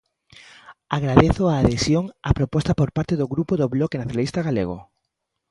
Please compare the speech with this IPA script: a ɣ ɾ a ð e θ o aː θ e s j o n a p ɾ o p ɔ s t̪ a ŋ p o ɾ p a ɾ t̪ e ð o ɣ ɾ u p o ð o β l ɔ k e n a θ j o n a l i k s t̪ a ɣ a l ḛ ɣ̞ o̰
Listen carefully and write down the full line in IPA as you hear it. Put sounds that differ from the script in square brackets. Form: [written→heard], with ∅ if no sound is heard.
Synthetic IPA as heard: a ɣ ɾ a ð e θ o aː [θ→ð] e s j o [n→ŋ] a p ɾ o p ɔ s t̪ a [ŋ→∅] p o ɾ p a ɾ t̪ e ð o ɣ ɾ u p o ð o β l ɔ k e n a θ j o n a l i [k→∅] s t̪ a ɣ a l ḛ ɣ̞ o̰